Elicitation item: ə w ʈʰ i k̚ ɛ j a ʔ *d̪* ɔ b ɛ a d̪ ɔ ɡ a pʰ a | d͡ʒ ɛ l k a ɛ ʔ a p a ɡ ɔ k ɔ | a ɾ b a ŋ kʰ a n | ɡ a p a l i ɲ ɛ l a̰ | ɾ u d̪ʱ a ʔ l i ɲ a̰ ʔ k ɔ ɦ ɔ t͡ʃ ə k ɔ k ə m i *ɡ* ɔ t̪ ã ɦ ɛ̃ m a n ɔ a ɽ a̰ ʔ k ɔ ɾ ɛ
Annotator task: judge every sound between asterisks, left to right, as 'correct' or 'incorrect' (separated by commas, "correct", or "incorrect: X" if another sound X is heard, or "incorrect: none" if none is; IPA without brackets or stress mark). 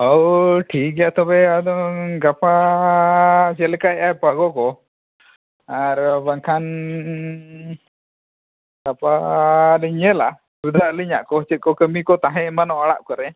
incorrect: t̪, incorrect: k